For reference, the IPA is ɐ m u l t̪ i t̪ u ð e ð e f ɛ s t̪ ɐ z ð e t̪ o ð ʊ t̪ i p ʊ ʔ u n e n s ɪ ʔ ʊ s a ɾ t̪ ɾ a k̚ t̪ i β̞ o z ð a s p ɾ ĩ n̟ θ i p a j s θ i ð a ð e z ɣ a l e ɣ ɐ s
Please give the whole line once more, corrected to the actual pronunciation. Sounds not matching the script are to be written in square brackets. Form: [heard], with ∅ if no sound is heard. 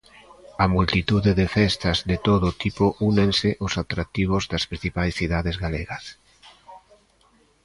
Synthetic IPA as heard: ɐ m u l t̪ i t̪ u ð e ð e f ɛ s t̪ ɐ z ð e t̪ o ð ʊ t̪ i p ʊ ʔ u n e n s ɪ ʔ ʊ s a [∅] t̪ ɾ a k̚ t̪ i β̞ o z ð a s p ɾ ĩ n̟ θ i p a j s θ i ð a ð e z ɣ a l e ɣ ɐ s